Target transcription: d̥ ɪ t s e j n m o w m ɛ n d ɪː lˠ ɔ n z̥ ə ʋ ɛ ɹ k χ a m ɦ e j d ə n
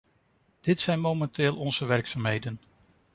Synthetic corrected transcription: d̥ ɪ t s ɛ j n m o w m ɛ n t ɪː lˠ ɔ n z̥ ə ʋ ɛ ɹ k s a m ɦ e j d ə n

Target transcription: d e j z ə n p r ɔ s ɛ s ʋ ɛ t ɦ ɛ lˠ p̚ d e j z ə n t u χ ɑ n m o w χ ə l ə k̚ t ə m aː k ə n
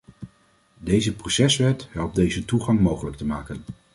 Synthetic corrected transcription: d e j z ə p r o s ɛ s ʋ ɛ t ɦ ɛ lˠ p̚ d e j z ə t u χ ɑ ŋ m o w χ ə l ə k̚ t ə m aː k ə n

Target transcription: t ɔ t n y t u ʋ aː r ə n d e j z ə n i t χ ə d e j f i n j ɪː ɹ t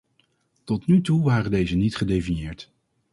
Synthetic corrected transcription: t ɔ t n y t u ʋ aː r ə n d e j z ə n i t χ ə d e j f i n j ɪː ɹ t

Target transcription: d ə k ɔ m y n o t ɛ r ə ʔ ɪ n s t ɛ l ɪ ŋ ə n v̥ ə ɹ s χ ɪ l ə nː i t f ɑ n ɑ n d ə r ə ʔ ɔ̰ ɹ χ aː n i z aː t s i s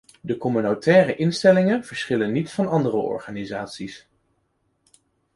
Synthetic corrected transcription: d ə k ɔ m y n o t ɛː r ə ʔ ɪ n s t ɛ l ɪ ŋ ə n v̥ ə ɹ s χ ɪ l ə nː i t f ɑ n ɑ n d ə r ə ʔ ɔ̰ ɹ χ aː n i z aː t s i s

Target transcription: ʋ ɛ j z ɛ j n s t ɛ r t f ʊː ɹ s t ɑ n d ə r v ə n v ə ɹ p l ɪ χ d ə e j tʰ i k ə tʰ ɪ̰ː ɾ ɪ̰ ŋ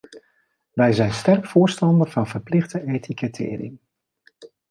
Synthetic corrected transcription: ʋ ɛ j z ɛ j n s t ɛ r k f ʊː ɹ s t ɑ n d ə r v ɑ n v ə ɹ p l ɪ χ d ə e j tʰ i k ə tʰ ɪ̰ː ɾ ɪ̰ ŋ

